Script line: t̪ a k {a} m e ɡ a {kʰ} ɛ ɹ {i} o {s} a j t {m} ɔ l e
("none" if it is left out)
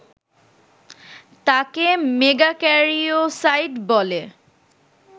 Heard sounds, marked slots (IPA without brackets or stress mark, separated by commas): e, k, i, s, b